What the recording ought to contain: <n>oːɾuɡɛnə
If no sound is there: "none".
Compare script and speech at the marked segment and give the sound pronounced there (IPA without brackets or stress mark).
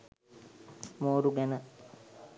m